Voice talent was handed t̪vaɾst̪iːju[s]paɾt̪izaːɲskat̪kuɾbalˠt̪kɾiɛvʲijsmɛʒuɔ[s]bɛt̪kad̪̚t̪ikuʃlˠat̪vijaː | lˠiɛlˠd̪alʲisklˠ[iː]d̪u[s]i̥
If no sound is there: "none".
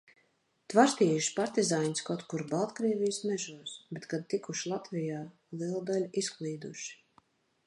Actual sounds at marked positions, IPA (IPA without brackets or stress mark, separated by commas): ʃ, s, iː, ʃ